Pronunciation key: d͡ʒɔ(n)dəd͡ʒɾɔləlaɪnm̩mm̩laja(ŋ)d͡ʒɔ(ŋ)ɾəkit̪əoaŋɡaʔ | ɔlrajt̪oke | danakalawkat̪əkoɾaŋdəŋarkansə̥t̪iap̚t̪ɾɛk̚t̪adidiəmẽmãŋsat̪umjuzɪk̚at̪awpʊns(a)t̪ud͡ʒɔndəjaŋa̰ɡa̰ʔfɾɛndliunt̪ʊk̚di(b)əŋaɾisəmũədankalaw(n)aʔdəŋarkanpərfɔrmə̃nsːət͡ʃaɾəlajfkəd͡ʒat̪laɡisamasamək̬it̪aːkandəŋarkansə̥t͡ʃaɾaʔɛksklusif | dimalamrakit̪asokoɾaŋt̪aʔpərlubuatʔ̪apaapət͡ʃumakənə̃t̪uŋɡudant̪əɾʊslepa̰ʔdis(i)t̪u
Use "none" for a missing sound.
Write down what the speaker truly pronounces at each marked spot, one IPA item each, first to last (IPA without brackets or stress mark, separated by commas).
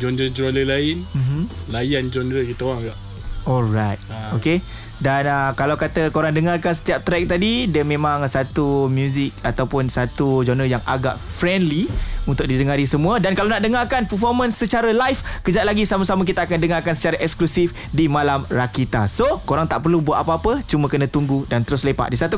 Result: n, n, n, a, d, n, a